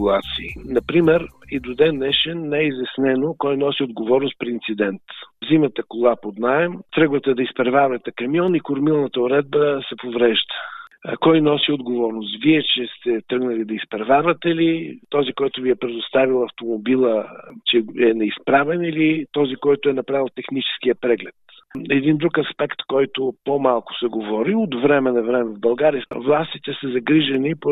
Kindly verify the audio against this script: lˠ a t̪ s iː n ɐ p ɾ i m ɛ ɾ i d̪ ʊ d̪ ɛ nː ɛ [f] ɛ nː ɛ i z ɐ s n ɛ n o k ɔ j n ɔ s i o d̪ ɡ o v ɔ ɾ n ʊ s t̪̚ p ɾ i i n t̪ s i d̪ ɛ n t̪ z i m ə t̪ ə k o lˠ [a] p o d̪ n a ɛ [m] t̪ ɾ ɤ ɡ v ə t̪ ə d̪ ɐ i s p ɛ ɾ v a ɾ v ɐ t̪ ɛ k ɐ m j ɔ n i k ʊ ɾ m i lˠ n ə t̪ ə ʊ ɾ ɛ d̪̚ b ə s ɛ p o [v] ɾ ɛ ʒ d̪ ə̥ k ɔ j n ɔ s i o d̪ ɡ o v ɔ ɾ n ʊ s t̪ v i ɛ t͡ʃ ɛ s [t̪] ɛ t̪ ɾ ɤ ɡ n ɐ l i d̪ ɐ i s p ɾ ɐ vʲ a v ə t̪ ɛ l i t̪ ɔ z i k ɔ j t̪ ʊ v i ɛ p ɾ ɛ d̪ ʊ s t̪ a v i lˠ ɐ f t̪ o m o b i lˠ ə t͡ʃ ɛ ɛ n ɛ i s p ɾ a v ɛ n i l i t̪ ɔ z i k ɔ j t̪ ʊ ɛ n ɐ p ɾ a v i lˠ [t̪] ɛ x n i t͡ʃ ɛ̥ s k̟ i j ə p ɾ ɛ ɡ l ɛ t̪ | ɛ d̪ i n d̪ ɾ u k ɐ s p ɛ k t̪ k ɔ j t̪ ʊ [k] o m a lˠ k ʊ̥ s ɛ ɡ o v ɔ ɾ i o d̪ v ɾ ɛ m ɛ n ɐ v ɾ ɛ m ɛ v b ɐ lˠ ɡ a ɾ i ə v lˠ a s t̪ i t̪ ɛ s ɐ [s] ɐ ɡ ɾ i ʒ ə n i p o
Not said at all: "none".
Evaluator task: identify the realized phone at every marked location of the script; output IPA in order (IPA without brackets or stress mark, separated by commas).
ʃ, a, m, v, t̪, t̪, p, z